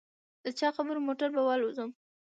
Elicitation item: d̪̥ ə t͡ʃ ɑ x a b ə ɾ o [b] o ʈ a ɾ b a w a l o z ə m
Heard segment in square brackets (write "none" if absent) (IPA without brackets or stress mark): m